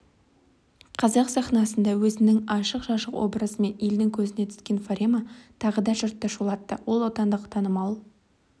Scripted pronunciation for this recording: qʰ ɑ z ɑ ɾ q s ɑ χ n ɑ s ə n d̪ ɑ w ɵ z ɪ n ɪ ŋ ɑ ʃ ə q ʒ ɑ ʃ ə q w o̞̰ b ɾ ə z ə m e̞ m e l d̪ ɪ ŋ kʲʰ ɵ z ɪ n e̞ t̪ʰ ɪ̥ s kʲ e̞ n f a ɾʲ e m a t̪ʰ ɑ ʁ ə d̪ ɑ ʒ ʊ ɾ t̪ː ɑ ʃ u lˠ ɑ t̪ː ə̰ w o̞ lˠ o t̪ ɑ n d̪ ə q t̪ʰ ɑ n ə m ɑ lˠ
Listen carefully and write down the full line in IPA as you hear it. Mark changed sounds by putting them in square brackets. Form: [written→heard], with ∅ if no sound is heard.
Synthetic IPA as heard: qʰ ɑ z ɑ [ɾ→∅] q s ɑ χ n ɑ s ə n d̪ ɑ w ɵ z ɪ n ɪ ŋ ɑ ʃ ə q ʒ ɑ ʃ ə q w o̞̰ b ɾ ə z ə m e̞ [m→n] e l d̪ ɪ ŋ kʲʰ ɵ z ɪ n e̞ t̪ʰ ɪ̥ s kʲ e̞ n f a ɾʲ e m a t̪ʰ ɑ ʁ ə d̪ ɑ ʒ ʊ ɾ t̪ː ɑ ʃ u lˠ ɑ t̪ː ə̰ w o̞ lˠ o t̪ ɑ n d̪ ə q t̪ʰ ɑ n ə m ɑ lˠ

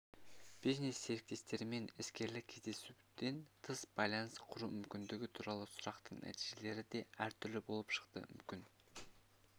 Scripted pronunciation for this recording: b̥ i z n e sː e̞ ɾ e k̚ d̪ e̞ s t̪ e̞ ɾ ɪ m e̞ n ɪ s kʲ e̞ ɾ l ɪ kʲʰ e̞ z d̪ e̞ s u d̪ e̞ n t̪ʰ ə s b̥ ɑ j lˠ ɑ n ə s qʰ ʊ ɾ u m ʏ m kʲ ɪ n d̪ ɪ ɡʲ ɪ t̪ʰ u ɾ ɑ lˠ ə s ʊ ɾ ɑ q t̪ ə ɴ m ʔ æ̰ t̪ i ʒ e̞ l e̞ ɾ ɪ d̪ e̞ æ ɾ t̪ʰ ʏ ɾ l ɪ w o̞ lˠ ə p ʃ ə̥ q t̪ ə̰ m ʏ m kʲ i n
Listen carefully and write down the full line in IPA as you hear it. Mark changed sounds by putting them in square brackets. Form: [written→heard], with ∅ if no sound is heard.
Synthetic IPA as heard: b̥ i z n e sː e̞ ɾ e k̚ [d̪→t̪] e̞ s t̪ e̞ ɾ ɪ m e̞ n ɪ s kʲ e̞ ɾ l ɪ kʲʰ e̞ z d̪ e̞ s u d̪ e̞ n t̪ʰ ə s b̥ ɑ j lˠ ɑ n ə s qʰ ʊ ɾ u m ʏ m kʲ ɪ n d̪ ɪ ɡʲ ɪ t̪ʰ u ɾ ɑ lˠ ə s ʊ ɾ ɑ q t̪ ə ɴ [m→n] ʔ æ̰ t̪ i ʒ e̞ l e̞ ɾ ɪ d̪ e̞ æ ɾ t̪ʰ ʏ ɾ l ɪ [w→b] o̞ lˠ ə p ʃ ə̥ q t̪ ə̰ m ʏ m kʲ [i→ɪ] n

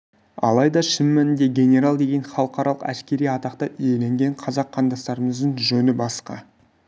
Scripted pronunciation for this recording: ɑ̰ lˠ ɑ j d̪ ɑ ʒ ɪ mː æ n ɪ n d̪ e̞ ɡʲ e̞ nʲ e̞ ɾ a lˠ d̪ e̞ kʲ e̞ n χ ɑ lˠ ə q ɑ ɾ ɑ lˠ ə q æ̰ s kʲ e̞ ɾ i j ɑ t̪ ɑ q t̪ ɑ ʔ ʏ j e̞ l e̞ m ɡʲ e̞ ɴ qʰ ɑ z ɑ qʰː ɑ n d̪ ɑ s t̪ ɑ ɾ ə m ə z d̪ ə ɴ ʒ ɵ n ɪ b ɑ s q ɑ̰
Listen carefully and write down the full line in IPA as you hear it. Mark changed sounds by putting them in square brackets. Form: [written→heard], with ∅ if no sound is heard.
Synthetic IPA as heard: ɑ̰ lˠ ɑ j d̪ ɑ [ʒ→ʃ] ɪ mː æ n ɪ n d̪ e̞ ɡʲ e̞ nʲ e̞ ɾ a lˠ d̪ e̞ [kʲ→ɡʲ] e̞ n χ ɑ lˠ ə q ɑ ɾ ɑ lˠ ə q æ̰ s kʲ e̞ ɾ i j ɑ t̪ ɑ q t̪ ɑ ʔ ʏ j e̞ l e̞ [m→ŋ] ɡʲ e̞ ɴ qʰ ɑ z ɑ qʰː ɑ n d̪ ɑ s t̪ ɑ ɾ ə m ə z d̪ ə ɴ ʒ ɵ n ɪ b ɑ s q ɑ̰

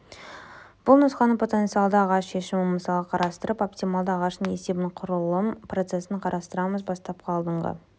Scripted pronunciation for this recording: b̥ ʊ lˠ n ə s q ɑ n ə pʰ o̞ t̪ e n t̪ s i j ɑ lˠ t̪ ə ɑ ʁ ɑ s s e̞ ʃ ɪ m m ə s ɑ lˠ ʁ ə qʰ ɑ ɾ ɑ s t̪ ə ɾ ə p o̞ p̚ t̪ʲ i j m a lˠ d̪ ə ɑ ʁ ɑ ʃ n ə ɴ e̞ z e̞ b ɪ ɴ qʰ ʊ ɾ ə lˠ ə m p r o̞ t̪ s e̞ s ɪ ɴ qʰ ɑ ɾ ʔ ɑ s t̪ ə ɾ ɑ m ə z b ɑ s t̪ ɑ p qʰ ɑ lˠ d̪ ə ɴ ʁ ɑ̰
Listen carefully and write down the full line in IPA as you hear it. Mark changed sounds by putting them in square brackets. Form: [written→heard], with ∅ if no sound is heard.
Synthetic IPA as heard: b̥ ʊ lˠ n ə s q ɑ n ə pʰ o̞ t̪ e n t̪ s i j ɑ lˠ [t̪→d̪] ə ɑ ʁ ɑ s [s→ʃ] e̞ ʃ ɪ m m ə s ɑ lˠ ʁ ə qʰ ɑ ɾ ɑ s t̪ ə ɾ ə p o̞ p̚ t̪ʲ i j m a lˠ d̪ ə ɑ ʁ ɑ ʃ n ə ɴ e̞ [z→s] e̞ b ɪ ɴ qʰ ʊ ɾ ə lˠ ə m p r o̞ t̪ s e̞ s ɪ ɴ qʰ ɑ ɾ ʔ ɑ s t̪ ə ɾ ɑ m ə z b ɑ s t̪ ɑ p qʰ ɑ lˠ d̪ ə ɴ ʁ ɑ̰

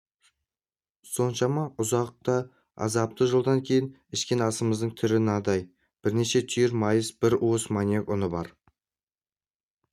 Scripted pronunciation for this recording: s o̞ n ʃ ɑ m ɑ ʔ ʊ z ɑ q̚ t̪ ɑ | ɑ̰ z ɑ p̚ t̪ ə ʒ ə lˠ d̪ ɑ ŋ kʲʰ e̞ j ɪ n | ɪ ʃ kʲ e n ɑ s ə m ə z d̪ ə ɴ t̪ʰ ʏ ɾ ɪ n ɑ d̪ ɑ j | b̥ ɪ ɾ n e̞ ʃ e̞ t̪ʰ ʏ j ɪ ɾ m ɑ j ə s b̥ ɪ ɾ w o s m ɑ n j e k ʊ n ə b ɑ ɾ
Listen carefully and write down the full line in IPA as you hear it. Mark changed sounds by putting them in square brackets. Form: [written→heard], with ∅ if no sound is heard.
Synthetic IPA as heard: s o̞ n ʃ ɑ m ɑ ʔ ʊ z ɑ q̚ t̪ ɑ | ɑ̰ z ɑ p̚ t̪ ə ʒ ə lˠ d̪ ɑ ŋ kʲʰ e̞ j ɪ n | ɪ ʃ kʲ e n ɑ s ə m ə z d̪ ə ɴ t̪ʰ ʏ ɾ ɪ n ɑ d̪ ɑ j | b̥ ɪ ɾ n e̞ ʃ e̞ t̪ʰ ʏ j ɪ ɾ m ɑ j ə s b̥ ɪ ɾ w o s m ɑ n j e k ʊ n ə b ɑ ɾ

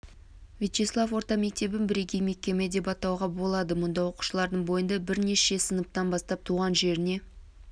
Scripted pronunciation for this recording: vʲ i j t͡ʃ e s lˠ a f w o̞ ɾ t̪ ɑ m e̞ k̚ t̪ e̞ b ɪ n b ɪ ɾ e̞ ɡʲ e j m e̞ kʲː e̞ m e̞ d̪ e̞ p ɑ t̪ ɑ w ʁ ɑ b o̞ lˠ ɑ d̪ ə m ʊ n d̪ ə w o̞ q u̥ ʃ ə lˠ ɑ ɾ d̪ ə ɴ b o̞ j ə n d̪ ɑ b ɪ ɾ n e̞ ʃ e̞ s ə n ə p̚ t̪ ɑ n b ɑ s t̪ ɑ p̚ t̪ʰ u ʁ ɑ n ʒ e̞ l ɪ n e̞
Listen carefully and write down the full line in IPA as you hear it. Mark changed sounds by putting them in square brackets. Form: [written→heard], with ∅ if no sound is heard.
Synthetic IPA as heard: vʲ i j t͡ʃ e s lˠ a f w o̞ ɾ t̪ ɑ m e̞ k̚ t̪ e̞ b ɪ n b ɪ ɾ e̞ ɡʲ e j m e̞ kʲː e̞ m e̞ d̪ e̞ p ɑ t̪ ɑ w ʁ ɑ b o̞ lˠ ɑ d̪ ə m ʊ n d̪ [ə→ɑ] w o̞ q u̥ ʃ ə lˠ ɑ ɾ d̪ ə ɴ b o̞ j ə n d̪ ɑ b ɪ ɾ n e̞ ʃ e̞ s ə n ə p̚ t̪ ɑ n b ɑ s t̪ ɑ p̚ t̪ʰ u ʁ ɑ n ʒ e̞ [l→ɾ] ɪ n e̞

